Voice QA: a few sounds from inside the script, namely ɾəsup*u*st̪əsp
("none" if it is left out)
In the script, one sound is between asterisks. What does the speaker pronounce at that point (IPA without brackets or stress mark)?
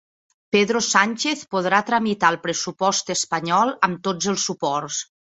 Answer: ɔ